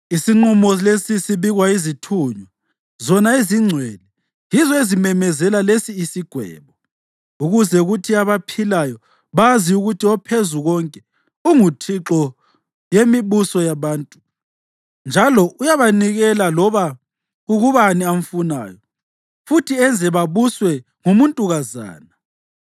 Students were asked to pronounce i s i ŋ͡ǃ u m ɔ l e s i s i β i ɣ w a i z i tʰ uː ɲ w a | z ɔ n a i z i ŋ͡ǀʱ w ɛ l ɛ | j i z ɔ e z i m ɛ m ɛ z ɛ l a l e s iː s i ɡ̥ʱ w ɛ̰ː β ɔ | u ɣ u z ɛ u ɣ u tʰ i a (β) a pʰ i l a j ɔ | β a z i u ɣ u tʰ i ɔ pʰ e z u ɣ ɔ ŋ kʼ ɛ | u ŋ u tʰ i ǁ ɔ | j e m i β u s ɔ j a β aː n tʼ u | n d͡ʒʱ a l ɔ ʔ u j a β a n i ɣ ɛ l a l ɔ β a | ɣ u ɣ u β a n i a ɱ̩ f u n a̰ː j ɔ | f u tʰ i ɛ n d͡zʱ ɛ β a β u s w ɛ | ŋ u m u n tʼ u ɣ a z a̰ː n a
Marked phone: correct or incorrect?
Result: correct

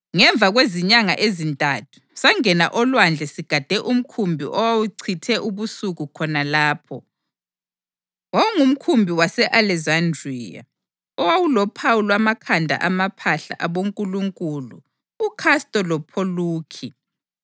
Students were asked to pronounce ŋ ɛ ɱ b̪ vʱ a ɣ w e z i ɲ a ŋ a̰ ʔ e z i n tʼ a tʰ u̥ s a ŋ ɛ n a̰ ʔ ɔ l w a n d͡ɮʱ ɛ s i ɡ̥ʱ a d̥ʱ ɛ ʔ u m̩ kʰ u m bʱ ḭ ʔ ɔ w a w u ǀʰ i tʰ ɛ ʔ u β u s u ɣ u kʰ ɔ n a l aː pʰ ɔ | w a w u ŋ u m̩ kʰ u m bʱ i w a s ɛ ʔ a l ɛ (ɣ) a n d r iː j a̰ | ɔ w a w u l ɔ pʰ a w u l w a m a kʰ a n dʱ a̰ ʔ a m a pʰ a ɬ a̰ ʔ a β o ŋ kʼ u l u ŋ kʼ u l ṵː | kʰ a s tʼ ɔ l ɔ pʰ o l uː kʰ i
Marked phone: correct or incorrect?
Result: incorrect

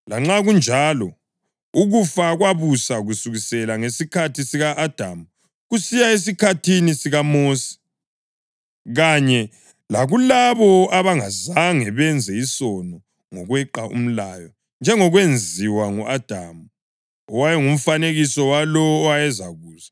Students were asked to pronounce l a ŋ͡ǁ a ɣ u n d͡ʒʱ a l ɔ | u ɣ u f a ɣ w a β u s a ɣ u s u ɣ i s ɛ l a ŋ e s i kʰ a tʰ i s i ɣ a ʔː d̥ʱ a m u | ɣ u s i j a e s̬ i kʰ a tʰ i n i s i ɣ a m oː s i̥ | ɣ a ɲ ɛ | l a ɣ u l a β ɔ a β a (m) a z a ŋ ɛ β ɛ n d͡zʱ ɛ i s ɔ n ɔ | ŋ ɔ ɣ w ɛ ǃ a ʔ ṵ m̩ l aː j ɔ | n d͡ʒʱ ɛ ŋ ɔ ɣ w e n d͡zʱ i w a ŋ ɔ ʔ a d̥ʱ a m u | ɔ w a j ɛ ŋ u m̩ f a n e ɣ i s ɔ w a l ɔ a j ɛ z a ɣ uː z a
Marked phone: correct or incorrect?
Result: incorrect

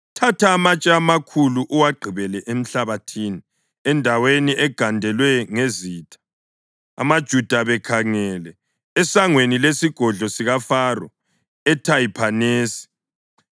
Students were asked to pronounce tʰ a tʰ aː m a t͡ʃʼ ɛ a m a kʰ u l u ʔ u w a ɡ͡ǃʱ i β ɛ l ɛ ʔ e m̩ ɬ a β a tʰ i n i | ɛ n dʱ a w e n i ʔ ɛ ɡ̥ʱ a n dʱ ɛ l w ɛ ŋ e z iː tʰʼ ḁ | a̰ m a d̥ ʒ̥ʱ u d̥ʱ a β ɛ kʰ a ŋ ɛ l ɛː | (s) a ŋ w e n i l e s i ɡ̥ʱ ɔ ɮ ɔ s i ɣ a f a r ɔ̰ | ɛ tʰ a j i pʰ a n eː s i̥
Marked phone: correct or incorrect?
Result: correct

